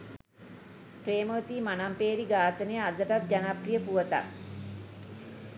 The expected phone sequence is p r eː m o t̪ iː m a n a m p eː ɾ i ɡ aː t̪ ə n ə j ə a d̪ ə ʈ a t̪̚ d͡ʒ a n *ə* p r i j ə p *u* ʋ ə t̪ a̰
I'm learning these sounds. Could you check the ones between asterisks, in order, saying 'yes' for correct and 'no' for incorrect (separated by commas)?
no, yes